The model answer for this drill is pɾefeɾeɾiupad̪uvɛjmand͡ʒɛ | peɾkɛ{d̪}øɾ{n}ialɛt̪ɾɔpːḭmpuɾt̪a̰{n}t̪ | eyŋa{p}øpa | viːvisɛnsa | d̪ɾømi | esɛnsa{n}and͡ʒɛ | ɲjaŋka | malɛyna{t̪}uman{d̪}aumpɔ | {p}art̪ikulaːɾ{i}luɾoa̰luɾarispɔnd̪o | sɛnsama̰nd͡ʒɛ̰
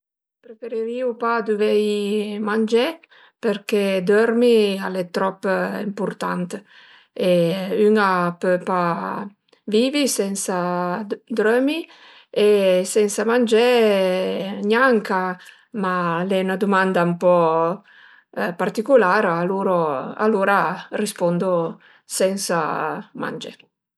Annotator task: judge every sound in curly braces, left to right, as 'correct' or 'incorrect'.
correct, incorrect: m, correct, correct, incorrect: m, incorrect: d̪, correct, correct, incorrect: a

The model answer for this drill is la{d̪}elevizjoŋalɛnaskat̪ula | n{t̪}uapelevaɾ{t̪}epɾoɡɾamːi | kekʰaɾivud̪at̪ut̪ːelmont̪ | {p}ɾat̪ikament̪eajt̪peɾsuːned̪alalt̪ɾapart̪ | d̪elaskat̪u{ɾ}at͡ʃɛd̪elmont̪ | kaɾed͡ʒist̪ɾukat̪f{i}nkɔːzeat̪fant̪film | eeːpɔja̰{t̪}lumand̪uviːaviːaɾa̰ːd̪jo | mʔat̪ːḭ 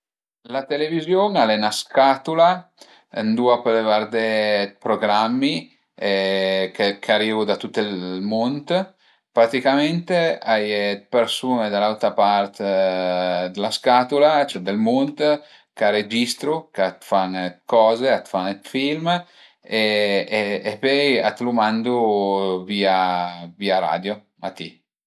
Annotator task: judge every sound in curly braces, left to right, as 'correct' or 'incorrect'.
incorrect: t̪, incorrect: d̪, incorrect: d̪, correct, incorrect: l, incorrect: a, correct

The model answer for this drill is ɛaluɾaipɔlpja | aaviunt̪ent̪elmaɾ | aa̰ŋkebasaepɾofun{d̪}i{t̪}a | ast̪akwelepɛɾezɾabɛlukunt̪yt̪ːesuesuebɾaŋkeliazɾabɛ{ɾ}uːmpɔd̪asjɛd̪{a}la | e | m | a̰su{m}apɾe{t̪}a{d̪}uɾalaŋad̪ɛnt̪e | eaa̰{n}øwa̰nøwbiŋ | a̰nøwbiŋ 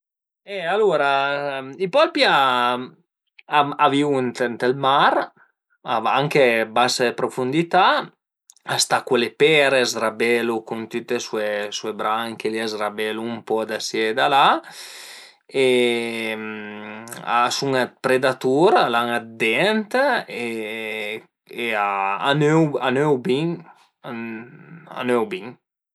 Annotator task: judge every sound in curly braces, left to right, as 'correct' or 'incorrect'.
correct, correct, incorrect: l, correct, incorrect: ŋ, incorrect: d̪, incorrect: t̪, correct

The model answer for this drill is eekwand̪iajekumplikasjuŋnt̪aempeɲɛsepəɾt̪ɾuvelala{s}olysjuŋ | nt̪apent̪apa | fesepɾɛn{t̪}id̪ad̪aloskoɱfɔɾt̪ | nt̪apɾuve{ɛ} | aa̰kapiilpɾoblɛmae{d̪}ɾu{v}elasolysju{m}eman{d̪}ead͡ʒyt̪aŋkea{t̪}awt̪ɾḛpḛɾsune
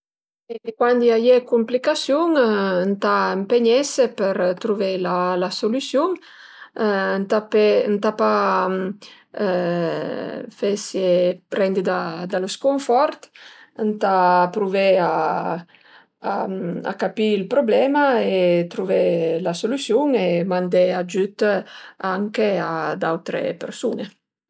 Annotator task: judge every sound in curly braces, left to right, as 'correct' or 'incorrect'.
correct, incorrect: d̪, incorrect: a, incorrect: t̪, correct, incorrect: ŋ, correct, incorrect: d̪

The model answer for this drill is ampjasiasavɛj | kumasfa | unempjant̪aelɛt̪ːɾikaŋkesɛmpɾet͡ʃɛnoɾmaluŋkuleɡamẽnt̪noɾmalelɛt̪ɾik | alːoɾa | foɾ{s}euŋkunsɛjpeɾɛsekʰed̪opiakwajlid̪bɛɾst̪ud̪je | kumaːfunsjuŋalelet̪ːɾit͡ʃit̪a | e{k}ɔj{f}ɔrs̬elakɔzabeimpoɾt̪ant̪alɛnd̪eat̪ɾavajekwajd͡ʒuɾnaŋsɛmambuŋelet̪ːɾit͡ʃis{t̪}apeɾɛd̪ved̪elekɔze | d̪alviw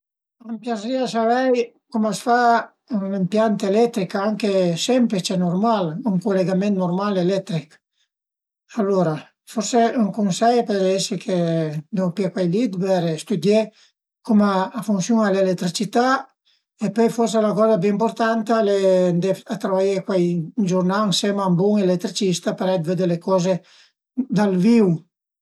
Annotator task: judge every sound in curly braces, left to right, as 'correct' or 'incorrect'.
correct, incorrect: p, correct, correct

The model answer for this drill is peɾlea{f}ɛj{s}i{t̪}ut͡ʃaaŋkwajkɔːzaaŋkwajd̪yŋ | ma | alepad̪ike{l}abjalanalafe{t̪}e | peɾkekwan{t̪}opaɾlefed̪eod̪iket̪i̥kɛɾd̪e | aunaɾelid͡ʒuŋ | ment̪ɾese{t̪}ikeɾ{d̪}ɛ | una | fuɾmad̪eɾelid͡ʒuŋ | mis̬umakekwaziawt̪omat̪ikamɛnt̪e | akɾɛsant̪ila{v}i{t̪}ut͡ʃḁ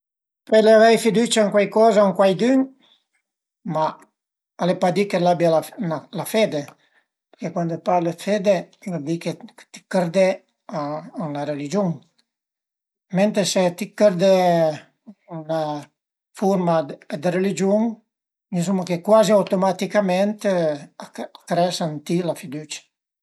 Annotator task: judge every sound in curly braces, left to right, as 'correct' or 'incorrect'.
incorrect: v, incorrect: f, incorrect: d̪, correct, incorrect: d̪, incorrect: d̪, correct, correct, incorrect: f, incorrect: d̪

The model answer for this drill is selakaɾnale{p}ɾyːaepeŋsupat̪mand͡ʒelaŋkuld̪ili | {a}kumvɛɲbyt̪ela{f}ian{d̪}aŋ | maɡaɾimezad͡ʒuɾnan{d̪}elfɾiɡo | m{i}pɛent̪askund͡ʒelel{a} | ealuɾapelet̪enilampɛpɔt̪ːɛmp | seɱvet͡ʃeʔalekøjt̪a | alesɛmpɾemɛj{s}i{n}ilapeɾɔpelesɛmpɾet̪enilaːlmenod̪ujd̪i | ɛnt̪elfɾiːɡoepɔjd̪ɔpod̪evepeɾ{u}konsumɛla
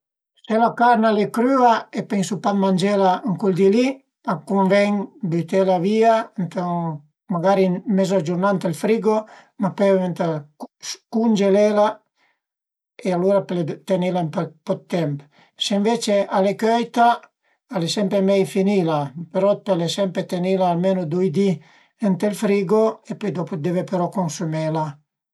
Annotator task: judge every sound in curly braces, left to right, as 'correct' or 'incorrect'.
incorrect: k, correct, incorrect: v, incorrect: t̪, incorrect: t̪, incorrect: a, correct, incorrect: f, correct, incorrect: ɔ

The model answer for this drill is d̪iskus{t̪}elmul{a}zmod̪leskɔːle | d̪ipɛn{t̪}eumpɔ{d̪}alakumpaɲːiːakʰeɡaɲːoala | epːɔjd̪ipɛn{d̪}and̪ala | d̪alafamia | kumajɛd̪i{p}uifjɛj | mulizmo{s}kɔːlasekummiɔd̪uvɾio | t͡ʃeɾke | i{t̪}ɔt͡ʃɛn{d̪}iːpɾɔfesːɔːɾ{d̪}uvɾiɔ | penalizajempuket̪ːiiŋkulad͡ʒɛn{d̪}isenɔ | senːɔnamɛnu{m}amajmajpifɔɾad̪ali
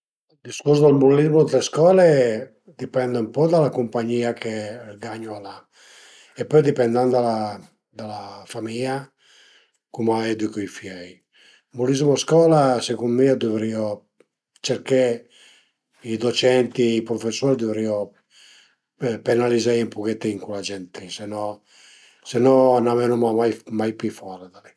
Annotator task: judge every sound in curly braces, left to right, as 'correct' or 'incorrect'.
incorrect: d̪, incorrect: i, incorrect: d̪, correct, correct, incorrect: k, correct, incorrect: d̪, incorrect: t̪, correct, incorrect: t̪, correct

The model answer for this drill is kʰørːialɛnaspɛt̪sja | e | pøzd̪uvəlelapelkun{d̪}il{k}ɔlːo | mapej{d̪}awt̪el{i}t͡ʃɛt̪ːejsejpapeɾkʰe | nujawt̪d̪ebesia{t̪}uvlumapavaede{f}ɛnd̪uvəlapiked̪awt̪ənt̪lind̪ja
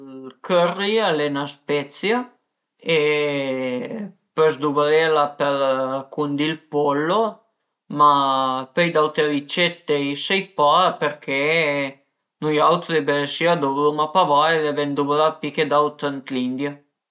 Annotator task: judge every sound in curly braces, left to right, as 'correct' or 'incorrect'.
correct, incorrect: p, correct, correct, incorrect: d̪, incorrect: v

